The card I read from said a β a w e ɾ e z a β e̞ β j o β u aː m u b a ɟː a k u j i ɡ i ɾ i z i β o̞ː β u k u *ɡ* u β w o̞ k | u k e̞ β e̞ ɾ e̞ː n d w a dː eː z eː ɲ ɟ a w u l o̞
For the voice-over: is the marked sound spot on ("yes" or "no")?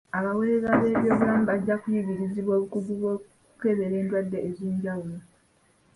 yes